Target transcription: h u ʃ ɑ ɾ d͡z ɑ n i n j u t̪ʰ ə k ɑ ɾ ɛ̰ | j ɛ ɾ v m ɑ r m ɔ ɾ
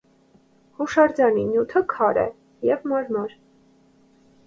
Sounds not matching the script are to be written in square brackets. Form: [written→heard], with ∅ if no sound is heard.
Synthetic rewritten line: h u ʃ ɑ ɾ d͡z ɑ n i n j u t̪ʰ ə [k→kʰ] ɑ ɾ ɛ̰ | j ɛ [ɾ→∅] v m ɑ [r→ɾ] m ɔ ɾ